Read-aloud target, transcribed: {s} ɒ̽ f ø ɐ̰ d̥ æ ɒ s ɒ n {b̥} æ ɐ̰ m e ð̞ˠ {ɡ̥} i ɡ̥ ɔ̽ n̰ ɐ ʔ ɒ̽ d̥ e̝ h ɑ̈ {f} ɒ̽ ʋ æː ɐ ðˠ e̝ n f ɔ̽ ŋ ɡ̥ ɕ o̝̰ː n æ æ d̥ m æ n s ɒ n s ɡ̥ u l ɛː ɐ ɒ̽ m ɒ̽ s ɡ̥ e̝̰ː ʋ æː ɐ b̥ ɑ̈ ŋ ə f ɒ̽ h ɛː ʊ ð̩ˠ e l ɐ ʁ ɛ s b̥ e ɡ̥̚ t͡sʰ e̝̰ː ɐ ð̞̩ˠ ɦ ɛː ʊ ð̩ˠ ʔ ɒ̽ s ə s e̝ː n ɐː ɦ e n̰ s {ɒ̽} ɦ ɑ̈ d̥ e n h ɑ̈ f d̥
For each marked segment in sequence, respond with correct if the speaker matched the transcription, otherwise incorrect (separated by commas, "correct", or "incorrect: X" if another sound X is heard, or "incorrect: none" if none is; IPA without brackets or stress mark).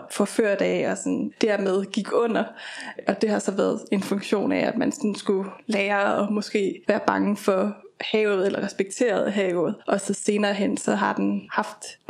incorrect: f, incorrect: d̥, correct, incorrect: s, correct